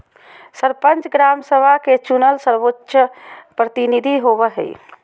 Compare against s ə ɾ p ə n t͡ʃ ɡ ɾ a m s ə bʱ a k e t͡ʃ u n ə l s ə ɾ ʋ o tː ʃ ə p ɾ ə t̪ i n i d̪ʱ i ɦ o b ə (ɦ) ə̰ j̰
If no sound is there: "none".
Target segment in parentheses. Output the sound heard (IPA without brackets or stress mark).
ɦ